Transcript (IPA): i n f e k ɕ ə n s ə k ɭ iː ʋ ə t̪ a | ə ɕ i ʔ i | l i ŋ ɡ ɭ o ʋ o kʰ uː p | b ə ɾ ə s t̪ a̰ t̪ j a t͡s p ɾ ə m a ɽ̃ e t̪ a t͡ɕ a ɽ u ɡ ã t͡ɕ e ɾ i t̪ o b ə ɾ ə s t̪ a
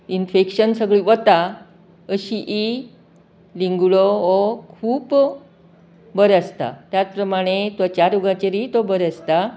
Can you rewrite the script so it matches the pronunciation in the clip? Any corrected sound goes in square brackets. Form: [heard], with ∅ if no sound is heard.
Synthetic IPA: i n f e k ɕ ə n s ə [ɡ] ɭ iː ʋ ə t̪ a | ə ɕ i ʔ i | l i ŋ ɡ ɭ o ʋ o kʰ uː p | b ə ɾ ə s t̪ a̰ t̪ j a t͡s p ɾ ə m a ɽ̃ e t̪ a t͡ɕ a [ɾ] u ɡ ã t͡ɕ e ɾ i t̪ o b ə ɾ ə s t̪ a